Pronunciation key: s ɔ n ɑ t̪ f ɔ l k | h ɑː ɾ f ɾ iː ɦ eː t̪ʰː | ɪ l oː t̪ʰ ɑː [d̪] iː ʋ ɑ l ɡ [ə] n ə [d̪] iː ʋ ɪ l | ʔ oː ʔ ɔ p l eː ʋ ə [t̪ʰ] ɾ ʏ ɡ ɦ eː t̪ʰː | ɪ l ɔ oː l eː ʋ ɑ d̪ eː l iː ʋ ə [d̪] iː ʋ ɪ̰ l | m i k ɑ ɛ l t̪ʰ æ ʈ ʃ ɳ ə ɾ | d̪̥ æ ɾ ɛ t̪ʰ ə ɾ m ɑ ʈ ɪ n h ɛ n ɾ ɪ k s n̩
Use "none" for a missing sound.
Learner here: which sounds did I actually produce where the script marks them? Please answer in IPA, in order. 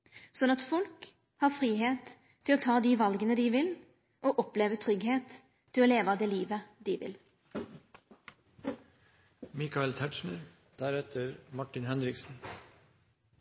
d̪, ə, d̪, t̪ʰ, d̪

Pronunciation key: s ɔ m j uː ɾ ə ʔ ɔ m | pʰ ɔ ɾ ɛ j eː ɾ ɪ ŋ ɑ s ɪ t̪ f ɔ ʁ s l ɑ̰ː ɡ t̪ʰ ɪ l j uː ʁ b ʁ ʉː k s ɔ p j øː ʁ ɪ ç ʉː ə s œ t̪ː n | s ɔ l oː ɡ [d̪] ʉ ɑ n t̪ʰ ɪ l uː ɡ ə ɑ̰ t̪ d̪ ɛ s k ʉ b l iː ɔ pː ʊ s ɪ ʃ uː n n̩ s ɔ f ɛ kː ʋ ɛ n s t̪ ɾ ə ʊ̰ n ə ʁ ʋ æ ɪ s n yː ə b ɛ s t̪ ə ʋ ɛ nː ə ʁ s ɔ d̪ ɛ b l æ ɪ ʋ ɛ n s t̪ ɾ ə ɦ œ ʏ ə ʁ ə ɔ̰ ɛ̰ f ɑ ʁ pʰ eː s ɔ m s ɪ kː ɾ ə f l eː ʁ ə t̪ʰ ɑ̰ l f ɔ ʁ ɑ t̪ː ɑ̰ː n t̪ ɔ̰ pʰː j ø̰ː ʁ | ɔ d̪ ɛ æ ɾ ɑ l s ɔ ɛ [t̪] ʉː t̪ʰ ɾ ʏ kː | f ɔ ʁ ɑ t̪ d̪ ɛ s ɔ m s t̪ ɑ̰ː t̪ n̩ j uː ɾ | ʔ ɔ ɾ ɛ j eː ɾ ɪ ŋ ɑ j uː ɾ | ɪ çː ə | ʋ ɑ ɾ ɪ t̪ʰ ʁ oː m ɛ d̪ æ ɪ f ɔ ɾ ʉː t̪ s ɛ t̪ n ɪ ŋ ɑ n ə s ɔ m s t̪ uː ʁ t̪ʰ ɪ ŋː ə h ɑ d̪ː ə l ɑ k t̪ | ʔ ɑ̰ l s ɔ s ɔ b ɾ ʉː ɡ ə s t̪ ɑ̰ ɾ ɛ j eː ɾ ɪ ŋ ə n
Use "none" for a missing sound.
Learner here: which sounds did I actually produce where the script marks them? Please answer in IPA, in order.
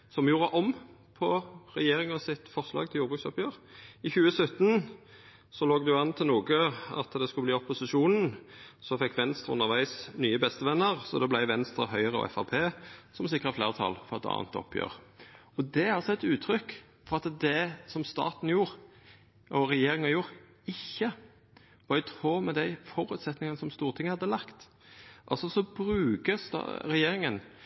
d̪, t̪

